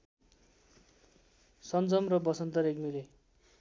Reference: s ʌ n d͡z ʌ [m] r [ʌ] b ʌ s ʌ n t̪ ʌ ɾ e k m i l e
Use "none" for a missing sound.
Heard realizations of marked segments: m, ʌ

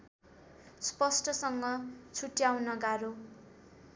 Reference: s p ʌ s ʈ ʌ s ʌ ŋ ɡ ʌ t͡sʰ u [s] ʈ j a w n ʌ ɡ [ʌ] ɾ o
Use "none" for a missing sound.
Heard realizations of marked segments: none, a

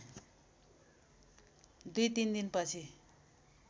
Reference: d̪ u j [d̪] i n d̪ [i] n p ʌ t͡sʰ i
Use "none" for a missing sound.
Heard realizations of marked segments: t̪, i

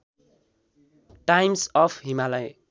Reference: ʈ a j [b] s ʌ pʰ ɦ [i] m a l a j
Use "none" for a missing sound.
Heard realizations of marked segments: m, i

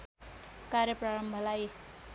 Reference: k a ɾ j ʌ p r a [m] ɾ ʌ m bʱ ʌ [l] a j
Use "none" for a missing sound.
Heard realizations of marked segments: none, l

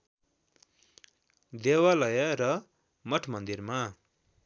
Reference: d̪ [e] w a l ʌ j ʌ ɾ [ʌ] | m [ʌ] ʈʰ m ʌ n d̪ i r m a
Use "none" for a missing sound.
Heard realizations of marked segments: e, ʌ, ʌ

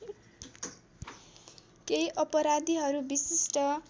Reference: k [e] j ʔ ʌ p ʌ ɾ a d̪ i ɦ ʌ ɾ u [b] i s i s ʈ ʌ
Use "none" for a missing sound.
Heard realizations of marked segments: e, b

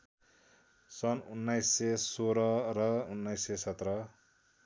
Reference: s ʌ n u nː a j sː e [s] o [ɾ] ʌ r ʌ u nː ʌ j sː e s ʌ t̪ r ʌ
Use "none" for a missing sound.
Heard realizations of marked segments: s, ɾ

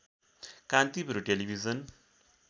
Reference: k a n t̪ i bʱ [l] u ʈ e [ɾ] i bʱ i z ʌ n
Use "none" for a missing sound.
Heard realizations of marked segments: ɾ, l

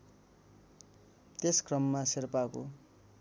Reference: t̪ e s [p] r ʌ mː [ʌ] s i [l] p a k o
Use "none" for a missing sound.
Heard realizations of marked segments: k, a, r

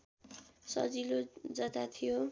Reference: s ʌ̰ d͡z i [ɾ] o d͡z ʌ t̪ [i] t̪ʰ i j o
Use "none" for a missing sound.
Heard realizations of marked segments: l, a

